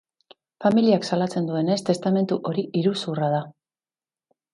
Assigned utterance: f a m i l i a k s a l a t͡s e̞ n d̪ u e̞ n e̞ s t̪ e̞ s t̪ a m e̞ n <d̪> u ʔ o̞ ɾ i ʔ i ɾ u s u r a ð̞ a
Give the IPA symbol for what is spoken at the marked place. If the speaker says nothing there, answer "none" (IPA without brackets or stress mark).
t̪